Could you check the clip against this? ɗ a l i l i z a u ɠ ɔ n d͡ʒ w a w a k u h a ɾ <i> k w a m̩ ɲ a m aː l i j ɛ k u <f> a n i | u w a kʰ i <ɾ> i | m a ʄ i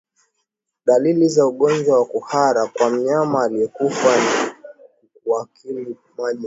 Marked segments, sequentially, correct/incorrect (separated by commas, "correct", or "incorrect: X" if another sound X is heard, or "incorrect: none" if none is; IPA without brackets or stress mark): incorrect: a, correct, incorrect: l